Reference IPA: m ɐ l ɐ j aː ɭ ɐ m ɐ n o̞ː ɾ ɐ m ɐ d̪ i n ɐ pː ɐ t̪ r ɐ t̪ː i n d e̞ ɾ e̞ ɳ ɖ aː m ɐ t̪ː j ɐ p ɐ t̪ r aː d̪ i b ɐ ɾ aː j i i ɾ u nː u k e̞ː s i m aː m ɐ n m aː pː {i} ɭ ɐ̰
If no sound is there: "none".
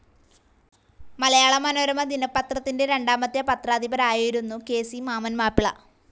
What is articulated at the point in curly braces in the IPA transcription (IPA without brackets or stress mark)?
i